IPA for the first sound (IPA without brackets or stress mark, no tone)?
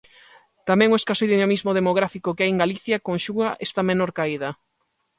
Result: t̪